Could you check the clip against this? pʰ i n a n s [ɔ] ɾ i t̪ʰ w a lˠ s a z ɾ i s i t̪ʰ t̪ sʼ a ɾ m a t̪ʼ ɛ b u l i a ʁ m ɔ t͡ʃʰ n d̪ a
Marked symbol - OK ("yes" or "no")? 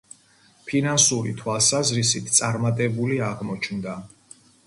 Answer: no